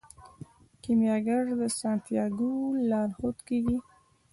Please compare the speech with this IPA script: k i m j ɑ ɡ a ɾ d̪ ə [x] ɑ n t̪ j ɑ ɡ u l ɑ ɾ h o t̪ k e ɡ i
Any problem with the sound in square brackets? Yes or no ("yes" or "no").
yes